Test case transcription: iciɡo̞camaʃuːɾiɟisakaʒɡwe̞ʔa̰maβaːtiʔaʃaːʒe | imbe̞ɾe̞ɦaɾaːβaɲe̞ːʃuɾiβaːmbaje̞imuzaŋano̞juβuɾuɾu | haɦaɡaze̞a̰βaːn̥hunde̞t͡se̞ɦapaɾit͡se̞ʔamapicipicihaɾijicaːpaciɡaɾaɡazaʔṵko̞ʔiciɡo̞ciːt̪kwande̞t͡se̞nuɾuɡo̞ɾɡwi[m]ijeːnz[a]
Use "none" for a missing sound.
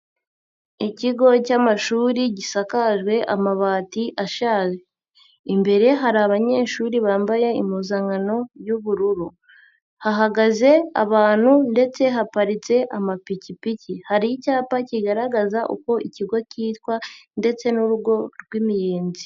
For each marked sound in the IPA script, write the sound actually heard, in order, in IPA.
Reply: m, i

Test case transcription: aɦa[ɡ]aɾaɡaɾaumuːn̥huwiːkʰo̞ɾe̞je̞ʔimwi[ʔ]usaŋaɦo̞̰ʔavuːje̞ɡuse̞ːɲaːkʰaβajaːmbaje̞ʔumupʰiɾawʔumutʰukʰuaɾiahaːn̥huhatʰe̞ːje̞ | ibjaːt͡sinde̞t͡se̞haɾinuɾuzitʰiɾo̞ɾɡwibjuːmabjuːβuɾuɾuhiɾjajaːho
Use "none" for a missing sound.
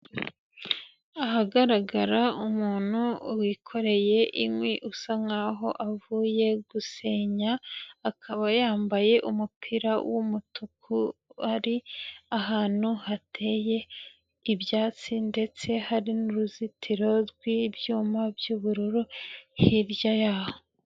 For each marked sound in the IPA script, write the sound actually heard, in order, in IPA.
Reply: ɡ, ʔ

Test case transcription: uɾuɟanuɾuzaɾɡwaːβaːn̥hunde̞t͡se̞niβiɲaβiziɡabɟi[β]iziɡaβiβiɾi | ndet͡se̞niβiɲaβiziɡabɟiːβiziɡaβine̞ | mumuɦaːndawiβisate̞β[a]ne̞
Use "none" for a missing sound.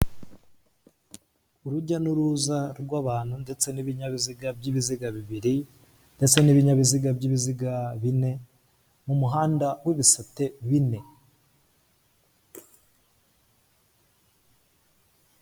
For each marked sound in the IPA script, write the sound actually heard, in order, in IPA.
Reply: β, i

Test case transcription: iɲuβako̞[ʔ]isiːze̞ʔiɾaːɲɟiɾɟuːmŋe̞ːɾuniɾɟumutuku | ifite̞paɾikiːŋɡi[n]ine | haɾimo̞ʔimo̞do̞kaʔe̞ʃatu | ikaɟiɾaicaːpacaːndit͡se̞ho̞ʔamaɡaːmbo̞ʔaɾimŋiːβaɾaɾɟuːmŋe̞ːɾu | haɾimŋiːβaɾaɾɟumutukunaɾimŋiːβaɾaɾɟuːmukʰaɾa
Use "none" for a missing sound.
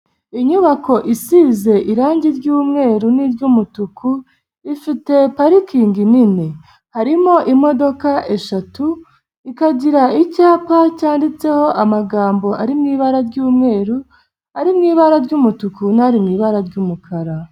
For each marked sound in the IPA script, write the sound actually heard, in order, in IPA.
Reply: ʔ, n

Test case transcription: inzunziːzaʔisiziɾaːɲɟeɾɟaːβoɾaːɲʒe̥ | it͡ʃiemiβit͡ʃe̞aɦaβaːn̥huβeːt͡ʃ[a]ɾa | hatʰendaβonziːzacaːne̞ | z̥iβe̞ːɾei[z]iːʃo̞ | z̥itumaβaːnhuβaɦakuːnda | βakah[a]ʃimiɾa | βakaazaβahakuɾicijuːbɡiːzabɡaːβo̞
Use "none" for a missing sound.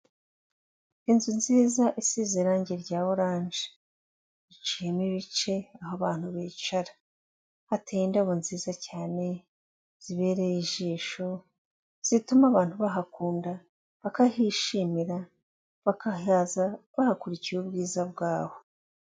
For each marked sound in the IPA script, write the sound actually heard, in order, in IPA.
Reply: a, ʒ, i

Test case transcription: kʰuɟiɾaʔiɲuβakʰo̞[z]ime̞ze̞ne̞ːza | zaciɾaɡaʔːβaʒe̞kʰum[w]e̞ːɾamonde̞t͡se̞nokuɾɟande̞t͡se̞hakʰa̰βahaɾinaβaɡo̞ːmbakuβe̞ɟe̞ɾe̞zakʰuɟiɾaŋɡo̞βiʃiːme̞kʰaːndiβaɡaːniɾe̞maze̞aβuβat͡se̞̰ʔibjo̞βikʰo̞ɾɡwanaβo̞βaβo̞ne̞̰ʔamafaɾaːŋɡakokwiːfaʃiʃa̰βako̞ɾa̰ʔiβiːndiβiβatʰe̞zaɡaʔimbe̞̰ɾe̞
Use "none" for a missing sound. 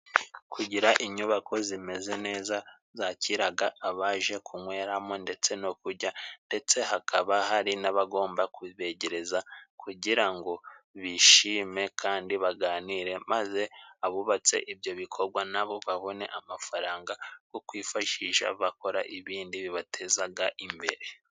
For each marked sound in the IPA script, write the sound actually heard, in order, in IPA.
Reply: z, w

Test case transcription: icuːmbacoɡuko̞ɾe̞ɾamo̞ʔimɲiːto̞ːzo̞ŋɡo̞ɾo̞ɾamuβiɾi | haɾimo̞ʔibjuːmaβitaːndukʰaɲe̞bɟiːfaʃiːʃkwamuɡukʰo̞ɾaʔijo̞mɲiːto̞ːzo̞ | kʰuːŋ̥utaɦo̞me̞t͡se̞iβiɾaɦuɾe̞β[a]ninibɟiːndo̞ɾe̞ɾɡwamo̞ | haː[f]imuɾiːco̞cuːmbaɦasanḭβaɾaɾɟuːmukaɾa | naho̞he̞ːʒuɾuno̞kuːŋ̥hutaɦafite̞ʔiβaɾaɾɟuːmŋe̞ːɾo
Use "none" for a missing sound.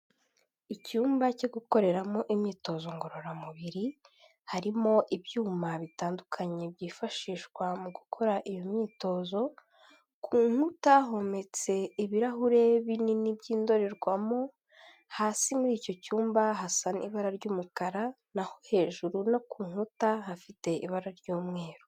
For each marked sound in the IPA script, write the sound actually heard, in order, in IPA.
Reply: i, s

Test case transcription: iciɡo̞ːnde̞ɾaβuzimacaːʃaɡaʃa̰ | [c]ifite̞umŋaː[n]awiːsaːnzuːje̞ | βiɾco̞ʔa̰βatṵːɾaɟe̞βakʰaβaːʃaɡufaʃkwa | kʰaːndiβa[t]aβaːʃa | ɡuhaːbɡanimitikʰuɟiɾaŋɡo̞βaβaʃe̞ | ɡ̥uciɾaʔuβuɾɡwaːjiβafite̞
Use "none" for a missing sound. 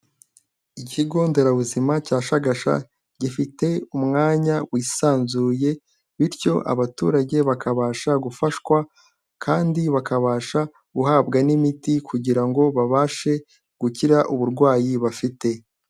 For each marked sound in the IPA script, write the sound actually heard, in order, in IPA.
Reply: ɟ, ɲ, k

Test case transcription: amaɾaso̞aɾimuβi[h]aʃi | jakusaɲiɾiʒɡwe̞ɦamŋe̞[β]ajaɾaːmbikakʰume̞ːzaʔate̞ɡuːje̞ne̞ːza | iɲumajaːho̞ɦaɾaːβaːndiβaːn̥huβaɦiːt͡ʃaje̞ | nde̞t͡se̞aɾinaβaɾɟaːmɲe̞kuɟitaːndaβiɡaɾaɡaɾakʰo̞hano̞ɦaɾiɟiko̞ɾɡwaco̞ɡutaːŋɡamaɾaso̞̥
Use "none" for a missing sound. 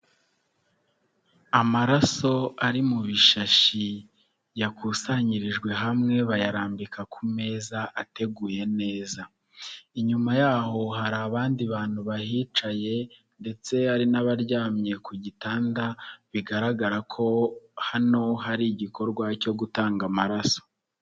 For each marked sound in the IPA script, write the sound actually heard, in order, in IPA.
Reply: ʃ, β

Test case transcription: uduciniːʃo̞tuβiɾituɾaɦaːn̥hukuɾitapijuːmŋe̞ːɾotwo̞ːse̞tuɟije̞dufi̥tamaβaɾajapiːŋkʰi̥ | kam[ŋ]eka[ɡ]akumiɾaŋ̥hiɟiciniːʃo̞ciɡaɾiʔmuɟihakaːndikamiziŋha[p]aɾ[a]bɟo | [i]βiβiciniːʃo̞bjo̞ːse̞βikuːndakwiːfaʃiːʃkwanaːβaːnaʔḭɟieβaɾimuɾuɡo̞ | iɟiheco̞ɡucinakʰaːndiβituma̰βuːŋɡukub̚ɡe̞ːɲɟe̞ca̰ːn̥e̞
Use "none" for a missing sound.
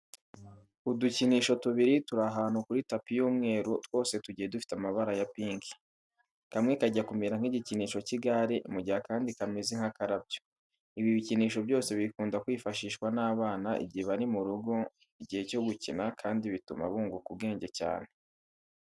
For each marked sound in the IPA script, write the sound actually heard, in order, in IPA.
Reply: ŋ, ɟ, k, a, i

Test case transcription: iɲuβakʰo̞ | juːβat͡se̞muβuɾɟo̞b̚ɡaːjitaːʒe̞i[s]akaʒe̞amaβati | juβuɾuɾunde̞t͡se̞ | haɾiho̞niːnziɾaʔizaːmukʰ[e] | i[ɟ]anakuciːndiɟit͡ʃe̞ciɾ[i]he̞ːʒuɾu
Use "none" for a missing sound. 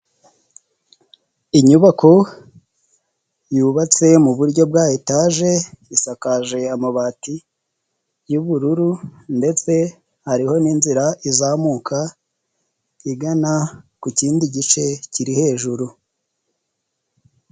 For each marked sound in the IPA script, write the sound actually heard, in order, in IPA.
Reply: s, a, ɡ, i

